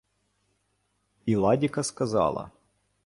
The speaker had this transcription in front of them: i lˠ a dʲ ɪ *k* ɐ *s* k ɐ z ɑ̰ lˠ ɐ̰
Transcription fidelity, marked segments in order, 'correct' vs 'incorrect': correct, correct

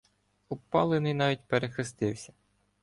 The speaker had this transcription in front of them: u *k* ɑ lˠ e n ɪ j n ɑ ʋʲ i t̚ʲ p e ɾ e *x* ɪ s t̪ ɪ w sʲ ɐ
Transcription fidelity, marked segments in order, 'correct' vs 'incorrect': incorrect: p, correct

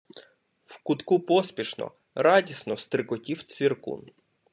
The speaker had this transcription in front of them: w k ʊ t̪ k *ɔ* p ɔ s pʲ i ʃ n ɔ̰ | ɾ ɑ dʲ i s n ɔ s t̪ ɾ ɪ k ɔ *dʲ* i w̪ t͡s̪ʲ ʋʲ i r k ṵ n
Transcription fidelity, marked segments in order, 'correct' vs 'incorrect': incorrect: u, incorrect: tʲ

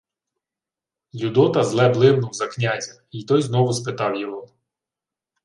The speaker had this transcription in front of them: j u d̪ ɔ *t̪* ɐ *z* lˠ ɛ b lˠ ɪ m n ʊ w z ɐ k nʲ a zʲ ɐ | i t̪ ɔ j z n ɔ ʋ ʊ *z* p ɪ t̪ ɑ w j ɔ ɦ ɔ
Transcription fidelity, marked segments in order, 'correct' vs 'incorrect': correct, correct, incorrect: s

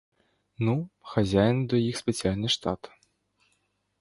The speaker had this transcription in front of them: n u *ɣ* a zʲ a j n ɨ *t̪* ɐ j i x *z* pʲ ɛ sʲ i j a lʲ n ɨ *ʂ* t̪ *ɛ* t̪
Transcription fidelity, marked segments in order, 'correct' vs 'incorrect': incorrect: x, incorrect: d̪, incorrect: s, correct, incorrect: a

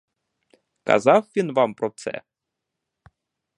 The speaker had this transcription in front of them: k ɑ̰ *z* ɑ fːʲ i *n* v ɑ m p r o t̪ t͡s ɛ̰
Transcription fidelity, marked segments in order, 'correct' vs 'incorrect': correct, correct

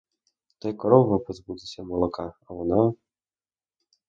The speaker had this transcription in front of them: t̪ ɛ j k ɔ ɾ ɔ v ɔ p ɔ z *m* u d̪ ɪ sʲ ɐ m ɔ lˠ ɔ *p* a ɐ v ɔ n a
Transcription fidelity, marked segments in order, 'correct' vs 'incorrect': incorrect: b, incorrect: k

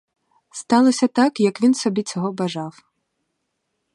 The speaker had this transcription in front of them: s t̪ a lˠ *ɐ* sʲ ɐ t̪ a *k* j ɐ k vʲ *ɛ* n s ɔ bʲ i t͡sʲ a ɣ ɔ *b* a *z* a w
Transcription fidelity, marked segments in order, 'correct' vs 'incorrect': correct, correct, incorrect: i, correct, incorrect: ʐ

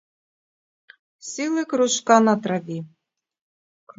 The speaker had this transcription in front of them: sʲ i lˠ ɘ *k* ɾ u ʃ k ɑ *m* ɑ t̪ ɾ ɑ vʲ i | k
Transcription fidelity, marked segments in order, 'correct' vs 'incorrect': correct, incorrect: n

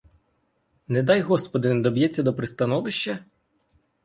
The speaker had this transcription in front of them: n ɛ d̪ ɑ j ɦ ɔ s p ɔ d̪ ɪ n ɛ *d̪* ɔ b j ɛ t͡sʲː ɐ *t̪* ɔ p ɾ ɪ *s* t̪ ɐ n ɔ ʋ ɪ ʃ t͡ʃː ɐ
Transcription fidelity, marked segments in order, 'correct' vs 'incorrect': correct, incorrect: d̪, correct

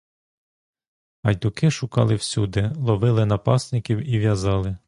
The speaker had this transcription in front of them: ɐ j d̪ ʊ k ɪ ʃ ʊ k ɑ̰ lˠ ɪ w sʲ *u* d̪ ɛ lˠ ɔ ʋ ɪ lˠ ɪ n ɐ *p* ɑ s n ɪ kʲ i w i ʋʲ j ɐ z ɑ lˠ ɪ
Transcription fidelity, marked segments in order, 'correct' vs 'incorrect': correct, correct

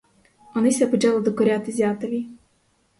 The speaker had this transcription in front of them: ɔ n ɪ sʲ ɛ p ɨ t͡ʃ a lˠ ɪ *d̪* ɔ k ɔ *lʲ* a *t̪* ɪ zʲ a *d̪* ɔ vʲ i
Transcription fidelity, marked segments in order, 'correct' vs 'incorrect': correct, incorrect: ɾʲ, correct, incorrect: t̪

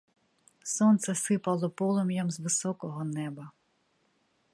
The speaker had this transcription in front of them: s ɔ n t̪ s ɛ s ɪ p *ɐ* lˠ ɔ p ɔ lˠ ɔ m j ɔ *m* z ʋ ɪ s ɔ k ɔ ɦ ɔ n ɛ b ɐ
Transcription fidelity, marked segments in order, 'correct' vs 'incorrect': correct, correct

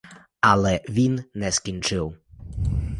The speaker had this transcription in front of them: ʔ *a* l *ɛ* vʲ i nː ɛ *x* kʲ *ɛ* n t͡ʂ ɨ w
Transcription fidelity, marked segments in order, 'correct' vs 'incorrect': correct, correct, incorrect: s, incorrect: i

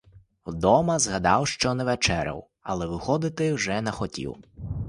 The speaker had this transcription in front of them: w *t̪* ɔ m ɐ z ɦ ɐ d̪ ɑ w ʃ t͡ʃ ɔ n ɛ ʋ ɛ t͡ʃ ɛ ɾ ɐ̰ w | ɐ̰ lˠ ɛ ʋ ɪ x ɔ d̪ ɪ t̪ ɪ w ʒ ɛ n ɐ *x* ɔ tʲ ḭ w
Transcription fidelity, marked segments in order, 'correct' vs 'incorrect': incorrect: d̪, correct

